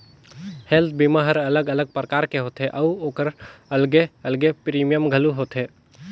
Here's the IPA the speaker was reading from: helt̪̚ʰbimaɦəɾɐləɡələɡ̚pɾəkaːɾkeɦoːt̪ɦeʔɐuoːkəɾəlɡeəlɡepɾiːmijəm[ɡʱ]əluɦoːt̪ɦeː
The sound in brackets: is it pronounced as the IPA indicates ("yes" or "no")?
yes